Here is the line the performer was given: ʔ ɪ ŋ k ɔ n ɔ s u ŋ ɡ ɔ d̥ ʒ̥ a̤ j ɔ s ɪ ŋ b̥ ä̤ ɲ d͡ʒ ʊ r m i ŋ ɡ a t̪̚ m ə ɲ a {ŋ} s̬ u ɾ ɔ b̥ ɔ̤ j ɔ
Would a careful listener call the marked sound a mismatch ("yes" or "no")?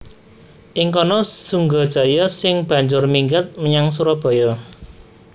no